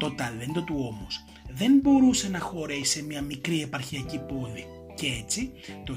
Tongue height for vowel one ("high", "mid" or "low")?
mid